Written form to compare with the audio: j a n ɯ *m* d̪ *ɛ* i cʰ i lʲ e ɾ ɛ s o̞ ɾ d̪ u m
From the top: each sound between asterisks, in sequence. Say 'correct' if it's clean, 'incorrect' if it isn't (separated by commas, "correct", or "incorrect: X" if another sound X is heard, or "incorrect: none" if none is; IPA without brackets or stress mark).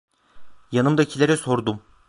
correct, incorrect: a